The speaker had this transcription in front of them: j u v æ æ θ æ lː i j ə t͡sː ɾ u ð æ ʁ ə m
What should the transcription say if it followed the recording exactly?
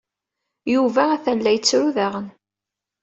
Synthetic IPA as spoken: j u v æ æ θ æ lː æ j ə t͡sː ɾ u ð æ ʁ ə n